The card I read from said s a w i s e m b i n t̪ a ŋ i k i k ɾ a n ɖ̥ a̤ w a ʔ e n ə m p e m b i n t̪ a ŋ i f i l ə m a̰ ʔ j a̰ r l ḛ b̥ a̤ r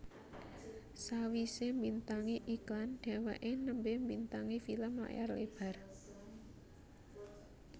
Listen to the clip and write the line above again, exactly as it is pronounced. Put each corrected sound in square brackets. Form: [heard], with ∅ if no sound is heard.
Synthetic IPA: s a w i s e m b i n t̪ a ŋ i [ʔ] i k [l] a n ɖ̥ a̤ w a ʔ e n ə m [b] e m b i n t̪ a ŋ i f i l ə m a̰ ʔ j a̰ r l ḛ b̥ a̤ r